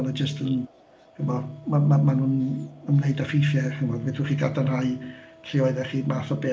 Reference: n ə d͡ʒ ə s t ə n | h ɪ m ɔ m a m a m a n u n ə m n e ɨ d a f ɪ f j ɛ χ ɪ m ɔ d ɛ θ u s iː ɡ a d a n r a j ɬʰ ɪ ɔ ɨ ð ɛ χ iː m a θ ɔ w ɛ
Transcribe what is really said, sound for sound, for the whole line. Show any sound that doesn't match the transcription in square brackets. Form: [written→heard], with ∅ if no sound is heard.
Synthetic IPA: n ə d͡ʒ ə s t ə n | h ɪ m ɔ m a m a m a n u n ə m n e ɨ d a f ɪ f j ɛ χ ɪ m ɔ d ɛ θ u [s→χ] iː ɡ a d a n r a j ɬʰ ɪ ɔ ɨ ð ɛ χ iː m a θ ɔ [w→b] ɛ